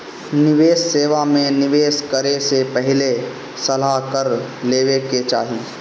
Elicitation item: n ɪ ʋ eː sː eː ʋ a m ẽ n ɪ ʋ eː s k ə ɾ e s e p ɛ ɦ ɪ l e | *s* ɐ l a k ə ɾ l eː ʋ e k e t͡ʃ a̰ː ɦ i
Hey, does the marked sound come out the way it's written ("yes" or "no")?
yes